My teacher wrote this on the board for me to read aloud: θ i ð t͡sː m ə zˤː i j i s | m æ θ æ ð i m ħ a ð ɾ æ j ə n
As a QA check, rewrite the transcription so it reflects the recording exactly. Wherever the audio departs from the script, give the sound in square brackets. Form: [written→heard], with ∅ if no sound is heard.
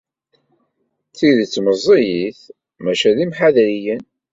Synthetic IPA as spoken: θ i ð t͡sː m ə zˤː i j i [s→θ] | m æ [θ→ʃ] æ ð i m ħ a ð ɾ [æ→i] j ə n